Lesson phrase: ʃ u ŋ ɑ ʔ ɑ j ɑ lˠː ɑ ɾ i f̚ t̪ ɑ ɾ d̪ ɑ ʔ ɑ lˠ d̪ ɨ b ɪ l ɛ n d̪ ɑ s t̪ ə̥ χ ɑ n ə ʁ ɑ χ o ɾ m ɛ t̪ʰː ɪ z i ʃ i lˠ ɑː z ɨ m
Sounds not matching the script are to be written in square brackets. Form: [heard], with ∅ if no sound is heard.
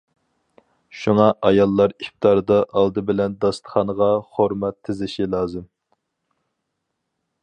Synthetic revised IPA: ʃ u ŋ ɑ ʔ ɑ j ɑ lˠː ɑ ɾ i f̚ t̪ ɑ ɾ d̪ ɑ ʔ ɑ lˠ d̪ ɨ b ɪ l ɛ n d̪ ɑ s t̪ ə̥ χ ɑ n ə ʁ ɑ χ o ɾ m ɛ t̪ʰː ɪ z [ɪ] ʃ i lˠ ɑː z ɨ m